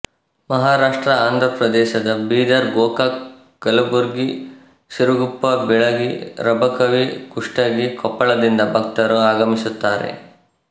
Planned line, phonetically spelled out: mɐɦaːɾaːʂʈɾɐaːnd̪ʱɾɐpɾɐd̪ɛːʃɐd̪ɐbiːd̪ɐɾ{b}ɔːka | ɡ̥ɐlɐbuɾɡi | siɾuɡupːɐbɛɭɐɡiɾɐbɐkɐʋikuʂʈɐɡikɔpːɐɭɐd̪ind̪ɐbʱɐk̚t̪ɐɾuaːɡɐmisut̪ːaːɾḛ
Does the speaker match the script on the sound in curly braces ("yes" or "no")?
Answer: no